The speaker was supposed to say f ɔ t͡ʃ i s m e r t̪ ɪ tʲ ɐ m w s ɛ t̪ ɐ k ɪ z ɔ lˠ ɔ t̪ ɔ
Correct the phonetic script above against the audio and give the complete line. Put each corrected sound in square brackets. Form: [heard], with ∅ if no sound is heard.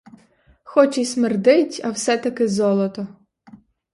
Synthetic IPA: [x] ɔ t͡ʃ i s m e r [d̪] ɪ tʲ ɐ [∅] w s ɛ t̪ ɐ k ɪ z ɔ lˠ ɔ t̪ ɔ